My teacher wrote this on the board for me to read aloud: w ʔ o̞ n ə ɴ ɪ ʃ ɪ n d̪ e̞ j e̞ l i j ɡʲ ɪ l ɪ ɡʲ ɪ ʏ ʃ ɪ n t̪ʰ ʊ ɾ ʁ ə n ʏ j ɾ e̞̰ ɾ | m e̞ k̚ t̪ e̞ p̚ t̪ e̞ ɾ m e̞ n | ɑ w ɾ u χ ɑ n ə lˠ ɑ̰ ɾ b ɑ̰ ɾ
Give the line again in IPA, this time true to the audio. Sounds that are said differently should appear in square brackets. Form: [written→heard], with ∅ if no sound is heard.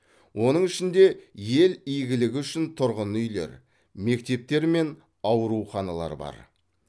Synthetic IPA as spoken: w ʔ o̞ n ə ɴ ɪ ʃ ɪ n d̪ e̞ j e̞ l i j ɡʲ ɪ l ɪ ɡʲ ɪ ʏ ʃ ɪ n t̪ʰ ʊ ɾ ʁ ə n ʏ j [ɾ→l] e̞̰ ɾ | m e̞ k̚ t̪ e̞ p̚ t̪ e̞ ɾ m e̞ n | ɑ w ɾ u χ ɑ n [ə→ɑ] lˠ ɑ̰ ɾ b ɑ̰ ɾ